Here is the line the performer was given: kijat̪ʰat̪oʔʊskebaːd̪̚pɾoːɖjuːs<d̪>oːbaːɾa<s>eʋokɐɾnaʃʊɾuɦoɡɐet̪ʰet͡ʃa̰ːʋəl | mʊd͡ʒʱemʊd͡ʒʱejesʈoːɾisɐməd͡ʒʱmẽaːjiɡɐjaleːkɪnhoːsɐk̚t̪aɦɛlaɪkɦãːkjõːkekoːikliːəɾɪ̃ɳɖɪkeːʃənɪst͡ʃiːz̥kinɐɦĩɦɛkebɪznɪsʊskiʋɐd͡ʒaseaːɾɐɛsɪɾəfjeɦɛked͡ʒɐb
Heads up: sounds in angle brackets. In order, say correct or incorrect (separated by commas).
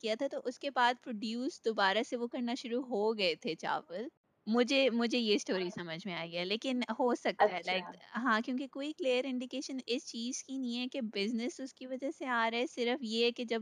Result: correct, correct